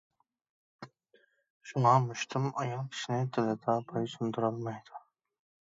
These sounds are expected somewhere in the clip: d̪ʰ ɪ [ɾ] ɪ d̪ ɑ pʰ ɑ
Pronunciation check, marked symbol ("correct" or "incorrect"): incorrect